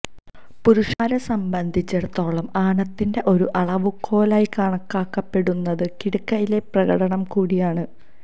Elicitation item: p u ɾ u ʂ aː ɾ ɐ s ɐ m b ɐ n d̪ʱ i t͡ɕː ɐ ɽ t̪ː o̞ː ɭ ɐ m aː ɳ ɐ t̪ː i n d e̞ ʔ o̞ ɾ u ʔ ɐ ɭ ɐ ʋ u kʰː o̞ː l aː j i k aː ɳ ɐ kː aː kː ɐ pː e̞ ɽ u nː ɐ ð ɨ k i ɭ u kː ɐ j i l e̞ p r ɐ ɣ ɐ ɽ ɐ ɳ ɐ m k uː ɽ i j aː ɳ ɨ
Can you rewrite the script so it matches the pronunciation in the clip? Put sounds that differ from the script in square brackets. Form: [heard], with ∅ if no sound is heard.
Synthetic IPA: p u ɾ u ʂ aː ɾ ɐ s ɐ m b ɐ n d̪ʱ i t͡ɕː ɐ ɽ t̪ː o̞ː ɭ ɐ m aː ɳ ɐ t̪ː i n d e̞ ʔ o̞ ɾ u ʔ ɐ ɭ ɐ ʋ u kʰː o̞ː l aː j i k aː ɳ ɐ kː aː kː ɐ pː e̞ ɽ u nː ɐ ð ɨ k i [ɽ] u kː ɐ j i l e̞ p r ɐ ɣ ɐ ɽ ɐ ɳ ɐ m k uː ɽ i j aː ɳ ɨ